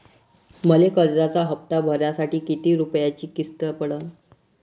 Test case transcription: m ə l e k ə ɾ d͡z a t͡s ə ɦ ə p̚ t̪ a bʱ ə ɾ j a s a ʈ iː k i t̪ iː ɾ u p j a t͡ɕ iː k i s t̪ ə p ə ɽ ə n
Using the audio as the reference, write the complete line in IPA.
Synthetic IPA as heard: m ə l e k ə ɾ d͡z a t͡s a ɦ ə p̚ t̪ a bʱ ə ɾ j a s a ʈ iː k i t̪ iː ɾ u p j a t͡ɕ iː k i s t̪ ə p ə ɽ ə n

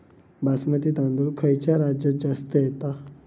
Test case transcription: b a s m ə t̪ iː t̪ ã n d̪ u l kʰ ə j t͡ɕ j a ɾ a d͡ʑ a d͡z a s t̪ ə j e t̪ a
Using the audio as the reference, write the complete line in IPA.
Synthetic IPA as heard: b a s m ə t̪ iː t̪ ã n d̪ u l kʰ ə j t͡ɕ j a ɾ a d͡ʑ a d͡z a s t̪ ə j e t̪ a

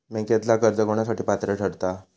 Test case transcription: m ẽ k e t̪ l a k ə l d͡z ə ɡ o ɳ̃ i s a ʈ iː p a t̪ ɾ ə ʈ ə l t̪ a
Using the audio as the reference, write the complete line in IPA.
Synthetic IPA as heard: m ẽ k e t̪ l a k ə ɾ d͡z ə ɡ o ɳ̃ a s a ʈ iː p a t̪ ɾ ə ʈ ə ɽ t̪ a

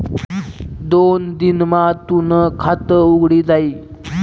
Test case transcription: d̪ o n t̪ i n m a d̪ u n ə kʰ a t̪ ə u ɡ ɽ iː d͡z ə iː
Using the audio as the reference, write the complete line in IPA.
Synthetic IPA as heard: d̪ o n d̪ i n m a t̪ u n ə kʰ a t̪ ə u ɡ ɽ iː d͡z a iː

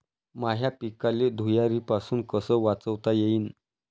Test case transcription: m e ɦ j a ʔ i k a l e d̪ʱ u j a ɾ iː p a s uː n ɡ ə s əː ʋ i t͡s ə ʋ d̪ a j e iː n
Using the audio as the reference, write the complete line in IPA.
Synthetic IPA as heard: m a ɦ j a p i k a l e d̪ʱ u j a ɾ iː p a s uː n k ə s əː ʋ a t͡s ə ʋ t̪ a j e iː n

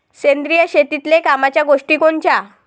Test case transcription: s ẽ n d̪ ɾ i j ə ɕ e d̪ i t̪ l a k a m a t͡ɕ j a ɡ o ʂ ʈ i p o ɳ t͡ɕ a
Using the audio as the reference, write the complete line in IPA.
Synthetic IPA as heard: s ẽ n d̪ ɾ i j ə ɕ e t̪ i t̪ l e k a m a t͡ɕ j a ɡ o ʂ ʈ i k o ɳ t͡ɕ a

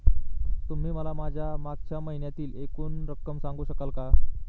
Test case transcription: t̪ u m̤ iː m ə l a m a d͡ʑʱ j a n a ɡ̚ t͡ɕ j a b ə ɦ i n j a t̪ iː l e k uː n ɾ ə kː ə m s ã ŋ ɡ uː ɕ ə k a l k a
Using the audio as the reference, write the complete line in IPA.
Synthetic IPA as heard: t̪ u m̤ iː m ə l a m a d͡ʑʱ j a m a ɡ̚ t͡ɕ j a m ə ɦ i n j a t̪ iː l e k uː n ɾ ə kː ə m s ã ŋ ɡ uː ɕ ə k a l k a

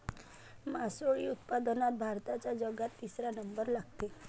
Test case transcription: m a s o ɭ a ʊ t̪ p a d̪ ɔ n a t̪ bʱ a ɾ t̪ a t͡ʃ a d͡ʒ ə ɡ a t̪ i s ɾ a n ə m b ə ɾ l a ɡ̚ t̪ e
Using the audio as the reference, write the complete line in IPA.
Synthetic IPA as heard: m a s o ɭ i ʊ t̪ p a d̪ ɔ n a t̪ bʱ a ɾ t̪ a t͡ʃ a d͡ʒ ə ɡ a t̪ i s ɾ a n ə m b ə ɾ l a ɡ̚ t̪ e

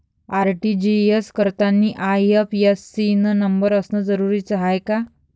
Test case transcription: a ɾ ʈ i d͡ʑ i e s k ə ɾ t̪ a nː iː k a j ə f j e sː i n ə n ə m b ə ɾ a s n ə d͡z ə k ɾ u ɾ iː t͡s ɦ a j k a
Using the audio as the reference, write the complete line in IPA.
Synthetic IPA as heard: a ɾ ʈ i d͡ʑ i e s k ə ɾ t̪ a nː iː ʔ a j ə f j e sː i n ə n ə m b ə ɾ ə s n ə d͡z ə ɾ u ɾ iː t͡s ɦ a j k a

